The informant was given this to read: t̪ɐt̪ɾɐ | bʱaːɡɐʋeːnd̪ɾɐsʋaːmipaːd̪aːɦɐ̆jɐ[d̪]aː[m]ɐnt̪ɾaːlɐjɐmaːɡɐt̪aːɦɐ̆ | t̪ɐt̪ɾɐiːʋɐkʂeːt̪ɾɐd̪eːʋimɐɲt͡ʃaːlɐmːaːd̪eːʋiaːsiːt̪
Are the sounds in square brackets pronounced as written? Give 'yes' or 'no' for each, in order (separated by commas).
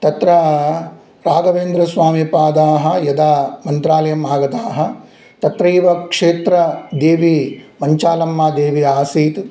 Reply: yes, yes